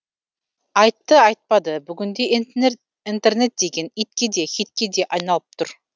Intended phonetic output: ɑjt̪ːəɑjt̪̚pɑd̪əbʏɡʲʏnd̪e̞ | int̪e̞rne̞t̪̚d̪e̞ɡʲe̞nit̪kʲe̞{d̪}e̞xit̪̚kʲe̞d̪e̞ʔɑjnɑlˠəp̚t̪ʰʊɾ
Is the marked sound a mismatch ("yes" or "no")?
no